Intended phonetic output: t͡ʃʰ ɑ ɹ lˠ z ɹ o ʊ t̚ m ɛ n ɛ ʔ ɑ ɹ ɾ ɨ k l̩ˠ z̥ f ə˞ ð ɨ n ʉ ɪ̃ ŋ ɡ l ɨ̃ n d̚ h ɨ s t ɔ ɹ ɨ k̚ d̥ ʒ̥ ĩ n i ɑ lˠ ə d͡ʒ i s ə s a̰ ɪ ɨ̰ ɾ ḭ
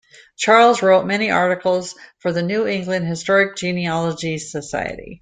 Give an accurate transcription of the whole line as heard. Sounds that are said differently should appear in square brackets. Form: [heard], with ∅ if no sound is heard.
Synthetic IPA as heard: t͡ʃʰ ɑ ɹ lˠ z ɹ o ʊ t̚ m ɛ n [i] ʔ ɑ ɹ ɾ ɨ k l̩ˠ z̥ f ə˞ ð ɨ n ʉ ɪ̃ ŋ ɡ l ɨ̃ n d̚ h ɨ s t ɔ ɹ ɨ k̚ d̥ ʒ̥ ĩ n i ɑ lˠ ə d͡ʒ i s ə s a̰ ɪ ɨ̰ ɾ ḭ